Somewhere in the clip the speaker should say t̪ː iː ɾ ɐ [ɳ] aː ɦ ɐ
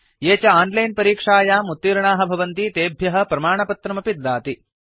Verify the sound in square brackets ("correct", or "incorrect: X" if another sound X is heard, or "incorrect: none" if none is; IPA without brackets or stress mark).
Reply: correct